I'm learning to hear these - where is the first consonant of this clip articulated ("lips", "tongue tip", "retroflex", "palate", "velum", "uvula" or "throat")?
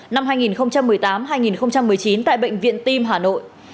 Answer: tongue tip